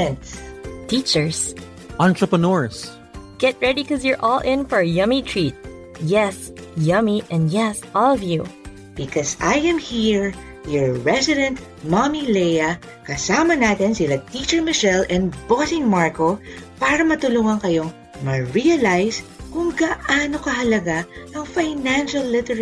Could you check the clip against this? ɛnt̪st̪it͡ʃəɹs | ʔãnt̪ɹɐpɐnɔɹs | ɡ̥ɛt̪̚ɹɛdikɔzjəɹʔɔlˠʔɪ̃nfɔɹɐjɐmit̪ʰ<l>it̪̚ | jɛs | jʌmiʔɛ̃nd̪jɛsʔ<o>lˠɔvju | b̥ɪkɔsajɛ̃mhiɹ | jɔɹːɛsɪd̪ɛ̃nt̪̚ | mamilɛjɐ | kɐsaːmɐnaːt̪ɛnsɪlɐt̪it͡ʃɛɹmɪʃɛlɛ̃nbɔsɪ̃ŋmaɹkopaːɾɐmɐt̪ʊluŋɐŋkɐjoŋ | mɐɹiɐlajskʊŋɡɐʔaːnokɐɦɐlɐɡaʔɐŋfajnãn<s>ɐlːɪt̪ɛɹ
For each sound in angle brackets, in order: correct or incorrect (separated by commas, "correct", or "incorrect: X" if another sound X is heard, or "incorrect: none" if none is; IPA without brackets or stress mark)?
incorrect: ɹ, incorrect: ɔ, incorrect: ʃ